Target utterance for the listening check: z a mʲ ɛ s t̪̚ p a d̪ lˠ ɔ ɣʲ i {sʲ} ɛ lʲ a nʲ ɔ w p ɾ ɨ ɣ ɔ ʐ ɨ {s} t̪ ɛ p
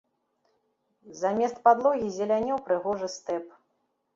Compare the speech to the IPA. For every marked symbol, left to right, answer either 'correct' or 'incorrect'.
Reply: incorrect: zʲ, correct

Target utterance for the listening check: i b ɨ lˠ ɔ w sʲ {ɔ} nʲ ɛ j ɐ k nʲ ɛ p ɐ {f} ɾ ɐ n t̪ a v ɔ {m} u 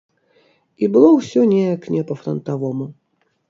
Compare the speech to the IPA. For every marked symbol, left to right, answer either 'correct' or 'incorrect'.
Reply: correct, correct, correct

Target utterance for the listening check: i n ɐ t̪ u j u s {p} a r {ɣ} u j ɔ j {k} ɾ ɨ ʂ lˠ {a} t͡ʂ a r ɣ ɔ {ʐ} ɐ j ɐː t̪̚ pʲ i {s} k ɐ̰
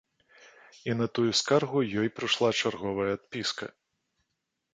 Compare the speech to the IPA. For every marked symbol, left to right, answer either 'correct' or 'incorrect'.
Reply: incorrect: k, correct, incorrect: p, correct, incorrect: v, correct

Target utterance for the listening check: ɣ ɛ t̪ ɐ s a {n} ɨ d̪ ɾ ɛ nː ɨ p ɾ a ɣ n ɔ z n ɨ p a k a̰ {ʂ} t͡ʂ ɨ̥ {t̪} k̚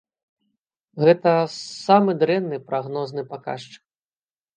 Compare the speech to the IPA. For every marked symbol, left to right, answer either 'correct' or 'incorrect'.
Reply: incorrect: m, correct, incorrect: none

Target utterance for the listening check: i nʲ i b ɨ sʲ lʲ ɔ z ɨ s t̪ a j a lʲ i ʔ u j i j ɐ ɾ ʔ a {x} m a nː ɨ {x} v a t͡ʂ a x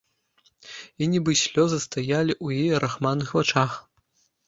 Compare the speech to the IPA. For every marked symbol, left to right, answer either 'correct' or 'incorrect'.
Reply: correct, correct

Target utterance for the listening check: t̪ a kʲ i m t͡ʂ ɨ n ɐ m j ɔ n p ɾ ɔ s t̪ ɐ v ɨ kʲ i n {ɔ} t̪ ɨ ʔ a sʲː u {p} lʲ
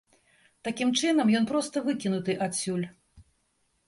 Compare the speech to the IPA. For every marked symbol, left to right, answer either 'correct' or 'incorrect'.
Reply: incorrect: u, incorrect: none

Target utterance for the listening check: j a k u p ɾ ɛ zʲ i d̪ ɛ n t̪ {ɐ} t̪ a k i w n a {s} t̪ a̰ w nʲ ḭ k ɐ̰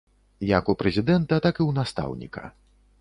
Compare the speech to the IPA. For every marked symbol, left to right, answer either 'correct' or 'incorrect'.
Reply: correct, correct

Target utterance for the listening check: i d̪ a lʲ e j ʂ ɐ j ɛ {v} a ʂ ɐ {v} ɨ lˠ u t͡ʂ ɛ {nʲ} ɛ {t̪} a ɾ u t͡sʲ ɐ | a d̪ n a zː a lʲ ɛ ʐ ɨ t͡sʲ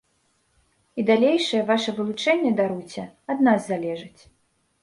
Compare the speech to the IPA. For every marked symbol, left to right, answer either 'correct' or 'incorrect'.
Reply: correct, correct, incorrect: nʲː, incorrect: d̪

